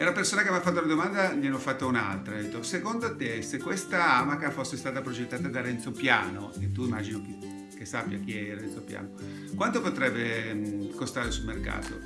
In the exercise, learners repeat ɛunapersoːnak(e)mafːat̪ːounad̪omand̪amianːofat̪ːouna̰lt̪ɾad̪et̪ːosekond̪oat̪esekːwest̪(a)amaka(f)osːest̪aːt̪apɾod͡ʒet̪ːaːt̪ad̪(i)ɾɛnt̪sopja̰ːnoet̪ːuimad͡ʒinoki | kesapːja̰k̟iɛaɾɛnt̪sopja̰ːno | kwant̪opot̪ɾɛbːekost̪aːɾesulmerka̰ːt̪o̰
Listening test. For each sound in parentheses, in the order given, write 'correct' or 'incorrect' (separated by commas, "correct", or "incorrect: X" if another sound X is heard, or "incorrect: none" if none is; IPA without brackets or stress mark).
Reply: correct, correct, correct, incorrect: a